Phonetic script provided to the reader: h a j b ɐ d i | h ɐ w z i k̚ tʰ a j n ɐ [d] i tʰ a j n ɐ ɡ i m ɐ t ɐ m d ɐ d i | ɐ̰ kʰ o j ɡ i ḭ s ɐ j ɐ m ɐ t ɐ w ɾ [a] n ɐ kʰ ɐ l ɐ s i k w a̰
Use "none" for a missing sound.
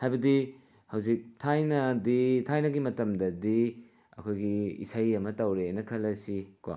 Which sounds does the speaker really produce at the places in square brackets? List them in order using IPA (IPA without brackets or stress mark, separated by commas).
d, e